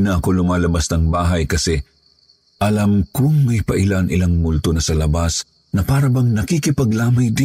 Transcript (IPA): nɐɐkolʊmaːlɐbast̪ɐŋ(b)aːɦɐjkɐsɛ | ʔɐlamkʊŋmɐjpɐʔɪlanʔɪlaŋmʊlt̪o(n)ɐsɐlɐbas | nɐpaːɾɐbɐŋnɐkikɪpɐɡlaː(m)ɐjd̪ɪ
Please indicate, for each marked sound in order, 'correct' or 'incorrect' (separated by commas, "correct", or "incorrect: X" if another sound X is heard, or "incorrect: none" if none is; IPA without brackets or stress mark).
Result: correct, correct, correct